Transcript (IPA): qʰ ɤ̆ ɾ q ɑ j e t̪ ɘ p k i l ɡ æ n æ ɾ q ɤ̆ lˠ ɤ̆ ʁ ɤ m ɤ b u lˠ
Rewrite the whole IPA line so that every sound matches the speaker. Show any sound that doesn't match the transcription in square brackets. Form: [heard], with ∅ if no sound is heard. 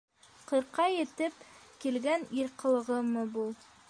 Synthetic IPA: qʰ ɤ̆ ɾ q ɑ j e t̪ ɘ p k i l ɡ æ n [i] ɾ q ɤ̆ lˠ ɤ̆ ʁ ɤ m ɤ b u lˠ